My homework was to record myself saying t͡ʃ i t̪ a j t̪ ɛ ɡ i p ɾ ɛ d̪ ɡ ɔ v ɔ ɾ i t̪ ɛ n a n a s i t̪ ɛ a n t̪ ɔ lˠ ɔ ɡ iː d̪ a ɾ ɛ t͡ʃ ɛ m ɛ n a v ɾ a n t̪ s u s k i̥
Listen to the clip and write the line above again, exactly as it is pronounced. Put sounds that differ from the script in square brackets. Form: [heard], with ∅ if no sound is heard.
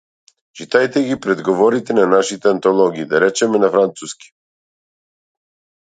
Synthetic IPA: t͡ʃ i t̪ a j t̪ ɛ ɡ i p ɾ ɛ d̪ ɡ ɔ v ɔ ɾ i t̪ ɛ n a n a [ʃ] i t̪ ɛ a n t̪ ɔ lˠ ɔ ɡ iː d̪ a ɾ ɛ t͡ʃ ɛ m ɛ n a [f] ɾ a n t̪ s u s k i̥